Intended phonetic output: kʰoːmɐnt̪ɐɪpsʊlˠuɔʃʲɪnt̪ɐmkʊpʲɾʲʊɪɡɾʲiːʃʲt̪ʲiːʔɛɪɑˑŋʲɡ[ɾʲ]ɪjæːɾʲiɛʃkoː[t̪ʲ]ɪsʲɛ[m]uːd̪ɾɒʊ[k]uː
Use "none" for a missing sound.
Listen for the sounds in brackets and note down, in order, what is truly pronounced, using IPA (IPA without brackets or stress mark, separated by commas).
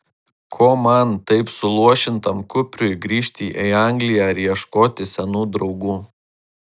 lʲ, t̪ʲ, n, ɡ